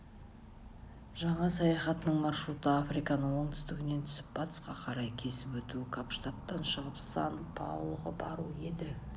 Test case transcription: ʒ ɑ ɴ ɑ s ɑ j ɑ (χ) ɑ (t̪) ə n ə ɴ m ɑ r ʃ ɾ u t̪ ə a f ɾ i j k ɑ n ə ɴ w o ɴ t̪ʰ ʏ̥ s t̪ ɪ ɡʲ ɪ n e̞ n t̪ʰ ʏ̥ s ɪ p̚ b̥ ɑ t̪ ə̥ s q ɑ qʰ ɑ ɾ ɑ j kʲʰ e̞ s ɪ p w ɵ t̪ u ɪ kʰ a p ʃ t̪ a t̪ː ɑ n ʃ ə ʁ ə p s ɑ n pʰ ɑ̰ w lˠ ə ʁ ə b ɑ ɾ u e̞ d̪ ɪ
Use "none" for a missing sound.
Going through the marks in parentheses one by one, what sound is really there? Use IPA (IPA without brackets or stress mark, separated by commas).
χ, t̪